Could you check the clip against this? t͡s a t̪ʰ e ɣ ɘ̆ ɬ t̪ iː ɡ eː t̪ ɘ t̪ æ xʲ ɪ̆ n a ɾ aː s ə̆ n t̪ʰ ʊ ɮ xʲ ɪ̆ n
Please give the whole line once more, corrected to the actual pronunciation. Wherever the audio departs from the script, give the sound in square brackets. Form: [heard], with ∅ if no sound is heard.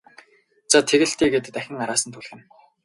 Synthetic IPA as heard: t͡s a t̪ʰ e ɣ ɘ̆ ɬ t̪ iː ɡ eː t̪ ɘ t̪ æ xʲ ɪ̆ [ŋ] a ɾ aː s ə̆ n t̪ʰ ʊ ɮ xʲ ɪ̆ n